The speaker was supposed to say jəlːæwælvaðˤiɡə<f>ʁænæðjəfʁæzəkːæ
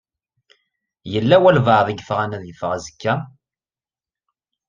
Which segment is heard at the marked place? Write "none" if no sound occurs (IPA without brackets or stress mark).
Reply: f